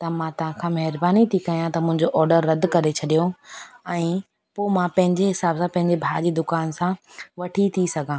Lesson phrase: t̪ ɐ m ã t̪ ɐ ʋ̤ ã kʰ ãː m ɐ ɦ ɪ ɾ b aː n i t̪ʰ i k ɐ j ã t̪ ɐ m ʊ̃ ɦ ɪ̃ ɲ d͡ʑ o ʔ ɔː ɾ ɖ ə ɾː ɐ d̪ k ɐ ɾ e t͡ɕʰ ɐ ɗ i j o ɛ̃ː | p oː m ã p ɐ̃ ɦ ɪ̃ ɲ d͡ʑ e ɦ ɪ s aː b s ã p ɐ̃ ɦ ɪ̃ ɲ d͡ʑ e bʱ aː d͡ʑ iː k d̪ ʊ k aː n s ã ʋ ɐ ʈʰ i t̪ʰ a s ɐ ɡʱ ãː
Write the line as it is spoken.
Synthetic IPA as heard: t̪ ɐ m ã t̪ ɐ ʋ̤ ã kʰ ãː m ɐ ɦ ɪ ɾ b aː n i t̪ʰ i k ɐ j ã t̪ ɐ m ʊ̃ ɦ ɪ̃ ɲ d͡ʑ o ʔ ɔː ɾ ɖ ə ɾː ɐ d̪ k ɐ ɾ e t͡ɕʰ ɐ ɗ i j o ɛ̃ː | p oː m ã p ɐ̃ ɦ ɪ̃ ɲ d͡ʑ e ɦ ɪ s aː b s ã p ɐ̃ ɦ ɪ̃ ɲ d͡ʑ e bʱ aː d͡ʑ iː d̪ ʊ k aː n s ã ʋ ɐ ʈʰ i t̪ʰ i s ɐ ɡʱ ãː